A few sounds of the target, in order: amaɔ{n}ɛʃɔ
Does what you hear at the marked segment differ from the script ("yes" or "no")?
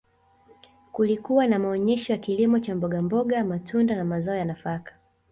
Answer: yes